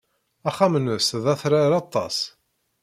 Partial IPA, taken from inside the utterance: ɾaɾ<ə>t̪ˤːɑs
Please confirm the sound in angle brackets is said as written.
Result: no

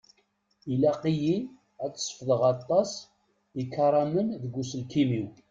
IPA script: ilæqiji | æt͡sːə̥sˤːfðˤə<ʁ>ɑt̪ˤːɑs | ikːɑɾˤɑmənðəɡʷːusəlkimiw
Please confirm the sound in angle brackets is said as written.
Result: yes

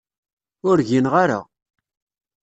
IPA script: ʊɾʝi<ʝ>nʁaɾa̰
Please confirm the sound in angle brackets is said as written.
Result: no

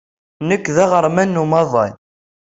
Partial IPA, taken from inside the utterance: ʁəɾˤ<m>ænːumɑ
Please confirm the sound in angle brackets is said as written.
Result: yes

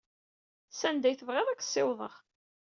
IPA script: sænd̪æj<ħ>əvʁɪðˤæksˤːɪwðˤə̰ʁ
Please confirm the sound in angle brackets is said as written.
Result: no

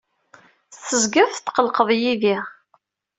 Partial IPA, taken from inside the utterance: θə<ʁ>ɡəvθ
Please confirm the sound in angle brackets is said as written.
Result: no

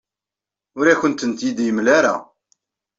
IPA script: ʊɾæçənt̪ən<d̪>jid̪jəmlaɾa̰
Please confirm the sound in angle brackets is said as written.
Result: no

